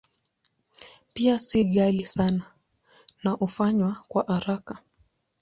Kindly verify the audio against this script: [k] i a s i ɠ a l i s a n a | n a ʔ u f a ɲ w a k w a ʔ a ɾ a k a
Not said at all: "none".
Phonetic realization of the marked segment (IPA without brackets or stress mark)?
p